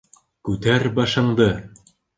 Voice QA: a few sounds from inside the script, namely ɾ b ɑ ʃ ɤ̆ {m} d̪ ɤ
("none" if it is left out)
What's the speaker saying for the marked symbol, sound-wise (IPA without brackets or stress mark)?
ɴ